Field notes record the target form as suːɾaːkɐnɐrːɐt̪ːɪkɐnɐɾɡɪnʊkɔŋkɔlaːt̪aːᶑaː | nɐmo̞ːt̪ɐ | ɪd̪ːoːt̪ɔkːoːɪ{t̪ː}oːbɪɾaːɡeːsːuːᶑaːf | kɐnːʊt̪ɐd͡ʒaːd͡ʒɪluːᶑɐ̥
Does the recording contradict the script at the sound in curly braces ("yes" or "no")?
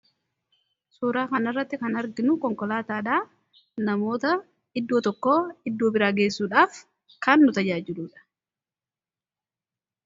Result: yes